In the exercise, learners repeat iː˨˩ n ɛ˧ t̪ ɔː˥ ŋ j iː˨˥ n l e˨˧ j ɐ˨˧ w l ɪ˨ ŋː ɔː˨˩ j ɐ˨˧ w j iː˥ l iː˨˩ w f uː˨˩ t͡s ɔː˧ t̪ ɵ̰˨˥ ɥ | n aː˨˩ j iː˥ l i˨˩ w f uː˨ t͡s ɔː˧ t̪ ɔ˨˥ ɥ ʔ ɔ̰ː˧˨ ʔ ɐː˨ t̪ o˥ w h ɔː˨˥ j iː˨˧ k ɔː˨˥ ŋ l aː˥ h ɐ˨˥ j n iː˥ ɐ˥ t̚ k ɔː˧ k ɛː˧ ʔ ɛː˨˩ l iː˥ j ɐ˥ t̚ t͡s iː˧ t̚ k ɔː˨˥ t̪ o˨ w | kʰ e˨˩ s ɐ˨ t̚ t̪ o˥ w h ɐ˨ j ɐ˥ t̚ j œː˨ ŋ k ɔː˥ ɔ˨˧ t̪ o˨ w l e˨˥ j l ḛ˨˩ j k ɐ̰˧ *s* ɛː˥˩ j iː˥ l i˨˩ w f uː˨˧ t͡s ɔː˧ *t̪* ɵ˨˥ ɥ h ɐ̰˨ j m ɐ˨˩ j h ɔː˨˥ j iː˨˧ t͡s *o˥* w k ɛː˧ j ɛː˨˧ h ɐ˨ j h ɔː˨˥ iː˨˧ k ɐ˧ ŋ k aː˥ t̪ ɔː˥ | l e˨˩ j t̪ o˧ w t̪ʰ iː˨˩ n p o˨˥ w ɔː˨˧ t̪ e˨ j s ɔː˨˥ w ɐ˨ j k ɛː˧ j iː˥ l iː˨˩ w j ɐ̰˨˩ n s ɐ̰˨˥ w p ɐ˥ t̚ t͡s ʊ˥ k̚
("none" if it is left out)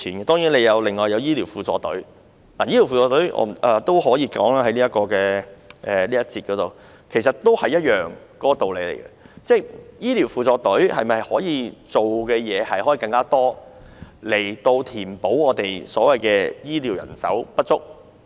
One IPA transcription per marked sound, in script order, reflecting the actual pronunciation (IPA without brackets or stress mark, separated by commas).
t͡s, t̪, o˨